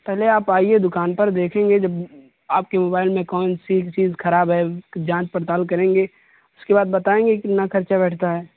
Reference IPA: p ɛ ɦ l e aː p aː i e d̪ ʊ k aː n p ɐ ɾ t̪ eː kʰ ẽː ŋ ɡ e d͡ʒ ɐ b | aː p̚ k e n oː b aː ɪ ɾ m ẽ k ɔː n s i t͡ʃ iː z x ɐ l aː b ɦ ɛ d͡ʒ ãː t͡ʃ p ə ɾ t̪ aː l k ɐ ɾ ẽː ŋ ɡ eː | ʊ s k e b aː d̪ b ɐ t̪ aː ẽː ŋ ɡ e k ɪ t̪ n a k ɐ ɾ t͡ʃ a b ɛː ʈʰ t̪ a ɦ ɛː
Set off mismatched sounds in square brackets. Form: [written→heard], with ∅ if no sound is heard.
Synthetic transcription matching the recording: p ɛ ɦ l e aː p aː i e d̪ ʊ k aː n p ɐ ɾ [t̪→d̪] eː kʰ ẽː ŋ ɡ e d͡ʒ ɐ b | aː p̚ k e [n→m] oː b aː ɪ [ɾ→l] m ẽ k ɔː n s i t͡ʃ iː z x ɐ [l→ɾ] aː b ɦ ɛ d͡ʒ ãː t͡ʃ p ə ɾ t̪ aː l k ɐ ɾ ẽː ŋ ɡ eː | ʊ s k e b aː d̪ b ɐ t̪ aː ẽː ŋ ɡ e k ɪ t̪ n a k ɐ ɾ t͡ʃ a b ɛː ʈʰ t̪ a ɦ ɛː